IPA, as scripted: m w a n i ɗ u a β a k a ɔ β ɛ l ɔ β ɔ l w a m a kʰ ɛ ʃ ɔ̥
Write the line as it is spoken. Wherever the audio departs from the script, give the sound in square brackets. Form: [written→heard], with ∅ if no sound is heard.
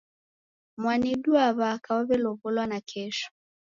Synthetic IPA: m w a n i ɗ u a β a k a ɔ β ɛ l ɔ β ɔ l w a [m→n] a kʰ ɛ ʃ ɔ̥